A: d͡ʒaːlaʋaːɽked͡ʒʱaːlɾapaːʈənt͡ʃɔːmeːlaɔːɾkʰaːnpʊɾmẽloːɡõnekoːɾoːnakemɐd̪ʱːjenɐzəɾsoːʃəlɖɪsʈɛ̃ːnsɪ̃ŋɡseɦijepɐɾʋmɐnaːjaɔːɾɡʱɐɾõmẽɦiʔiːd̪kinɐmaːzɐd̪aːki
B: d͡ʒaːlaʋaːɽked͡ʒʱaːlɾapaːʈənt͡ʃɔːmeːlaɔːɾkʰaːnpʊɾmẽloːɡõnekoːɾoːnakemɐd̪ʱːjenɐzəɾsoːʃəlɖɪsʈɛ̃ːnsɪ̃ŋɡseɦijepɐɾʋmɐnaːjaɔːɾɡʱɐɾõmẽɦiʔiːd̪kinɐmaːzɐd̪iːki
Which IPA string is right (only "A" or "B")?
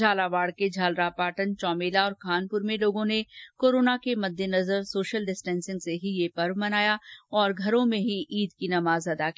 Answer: A